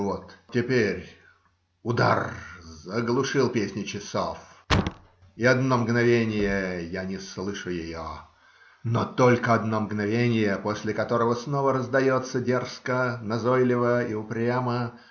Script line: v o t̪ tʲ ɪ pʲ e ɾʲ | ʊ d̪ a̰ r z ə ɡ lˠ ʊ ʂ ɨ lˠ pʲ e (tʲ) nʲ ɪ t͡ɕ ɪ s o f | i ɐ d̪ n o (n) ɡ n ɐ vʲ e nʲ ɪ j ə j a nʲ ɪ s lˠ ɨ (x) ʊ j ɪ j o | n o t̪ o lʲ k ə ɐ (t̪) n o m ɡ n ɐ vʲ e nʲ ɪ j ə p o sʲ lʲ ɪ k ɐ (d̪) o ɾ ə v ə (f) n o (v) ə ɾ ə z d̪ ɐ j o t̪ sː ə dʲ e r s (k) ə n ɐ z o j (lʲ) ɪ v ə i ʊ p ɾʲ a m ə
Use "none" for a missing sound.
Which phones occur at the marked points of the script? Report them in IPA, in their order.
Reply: sʲ, m, ʂ, d̪, t̪, s, v, k, lʲ

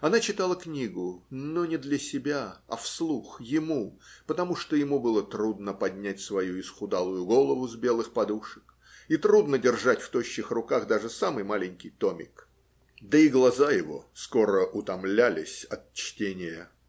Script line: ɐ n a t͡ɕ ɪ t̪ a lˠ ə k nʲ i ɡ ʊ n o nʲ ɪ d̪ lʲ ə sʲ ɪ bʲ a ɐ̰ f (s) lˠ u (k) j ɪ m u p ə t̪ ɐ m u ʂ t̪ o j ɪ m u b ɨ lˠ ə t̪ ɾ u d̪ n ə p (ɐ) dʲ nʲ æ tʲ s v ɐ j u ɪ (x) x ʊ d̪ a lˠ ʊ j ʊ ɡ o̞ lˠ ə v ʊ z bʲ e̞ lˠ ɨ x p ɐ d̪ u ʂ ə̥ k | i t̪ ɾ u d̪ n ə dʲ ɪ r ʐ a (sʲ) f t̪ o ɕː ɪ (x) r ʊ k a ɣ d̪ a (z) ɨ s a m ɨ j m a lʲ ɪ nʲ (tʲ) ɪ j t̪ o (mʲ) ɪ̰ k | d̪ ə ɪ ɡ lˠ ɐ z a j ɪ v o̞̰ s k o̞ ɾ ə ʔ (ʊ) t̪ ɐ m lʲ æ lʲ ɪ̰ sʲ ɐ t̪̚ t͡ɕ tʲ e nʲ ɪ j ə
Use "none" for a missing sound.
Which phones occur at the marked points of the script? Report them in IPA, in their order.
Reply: s, x, ɐ, s, tʲ, x, ʐ, kʲ, mʲ, ʊ

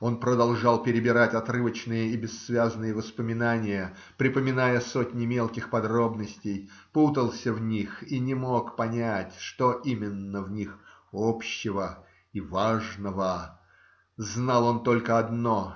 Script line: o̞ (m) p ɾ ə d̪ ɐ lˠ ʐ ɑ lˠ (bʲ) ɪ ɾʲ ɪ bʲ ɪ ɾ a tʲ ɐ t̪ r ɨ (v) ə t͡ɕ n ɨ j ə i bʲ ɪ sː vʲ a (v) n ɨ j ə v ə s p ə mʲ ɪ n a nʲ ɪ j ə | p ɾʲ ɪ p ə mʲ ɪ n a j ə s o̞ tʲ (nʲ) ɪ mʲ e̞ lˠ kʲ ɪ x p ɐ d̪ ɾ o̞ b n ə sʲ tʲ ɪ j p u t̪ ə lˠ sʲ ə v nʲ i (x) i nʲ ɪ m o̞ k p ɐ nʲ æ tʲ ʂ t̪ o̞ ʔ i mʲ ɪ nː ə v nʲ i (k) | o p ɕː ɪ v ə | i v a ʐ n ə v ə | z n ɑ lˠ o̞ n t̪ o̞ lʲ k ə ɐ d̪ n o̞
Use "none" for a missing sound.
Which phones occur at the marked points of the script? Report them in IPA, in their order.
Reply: n, pʲ, v, z, nʲ, x, x

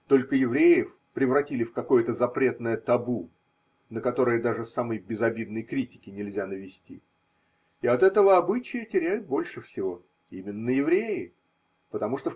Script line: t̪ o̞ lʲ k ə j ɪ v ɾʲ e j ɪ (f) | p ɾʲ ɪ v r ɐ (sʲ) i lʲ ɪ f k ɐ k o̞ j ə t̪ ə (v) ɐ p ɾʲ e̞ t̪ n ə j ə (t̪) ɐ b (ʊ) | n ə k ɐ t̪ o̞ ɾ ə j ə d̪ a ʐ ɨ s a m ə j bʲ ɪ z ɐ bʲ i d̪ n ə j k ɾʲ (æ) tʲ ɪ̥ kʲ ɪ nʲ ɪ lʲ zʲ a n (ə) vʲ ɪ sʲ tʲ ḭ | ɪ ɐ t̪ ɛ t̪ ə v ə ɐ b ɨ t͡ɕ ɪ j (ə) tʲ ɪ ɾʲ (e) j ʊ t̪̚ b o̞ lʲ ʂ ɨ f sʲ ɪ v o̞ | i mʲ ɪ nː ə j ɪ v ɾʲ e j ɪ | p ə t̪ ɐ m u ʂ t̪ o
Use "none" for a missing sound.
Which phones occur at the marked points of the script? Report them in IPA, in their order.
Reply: f, tʲ, z, t̪, u, i, ə, ə, æ

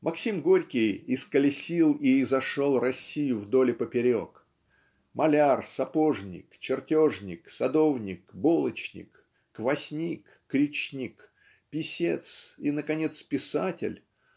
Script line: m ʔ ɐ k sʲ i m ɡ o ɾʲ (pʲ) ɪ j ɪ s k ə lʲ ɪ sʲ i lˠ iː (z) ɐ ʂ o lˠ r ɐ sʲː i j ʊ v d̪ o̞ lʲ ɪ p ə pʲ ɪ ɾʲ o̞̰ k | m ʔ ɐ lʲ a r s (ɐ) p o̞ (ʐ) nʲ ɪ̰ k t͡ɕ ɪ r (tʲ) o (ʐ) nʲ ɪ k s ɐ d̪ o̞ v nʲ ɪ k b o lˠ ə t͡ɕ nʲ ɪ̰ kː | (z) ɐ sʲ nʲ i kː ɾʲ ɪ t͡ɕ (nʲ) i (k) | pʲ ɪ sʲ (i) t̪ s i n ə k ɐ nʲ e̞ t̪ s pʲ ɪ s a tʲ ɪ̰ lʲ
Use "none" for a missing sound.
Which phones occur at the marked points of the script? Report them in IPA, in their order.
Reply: kʲ, z, ɐ, ʐ, tʲ, ʐ, v, nʲ, k, e

